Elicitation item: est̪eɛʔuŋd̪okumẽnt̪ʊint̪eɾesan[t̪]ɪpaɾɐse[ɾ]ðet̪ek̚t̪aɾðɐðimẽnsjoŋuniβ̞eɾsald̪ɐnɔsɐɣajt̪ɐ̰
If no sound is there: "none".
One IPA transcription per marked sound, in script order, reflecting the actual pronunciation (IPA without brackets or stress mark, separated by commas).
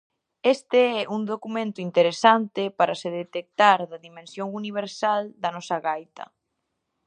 t̪, none